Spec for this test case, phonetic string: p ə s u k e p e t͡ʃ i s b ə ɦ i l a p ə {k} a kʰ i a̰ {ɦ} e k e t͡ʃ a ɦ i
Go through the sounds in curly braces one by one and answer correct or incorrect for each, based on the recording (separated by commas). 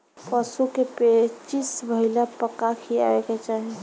correct, incorrect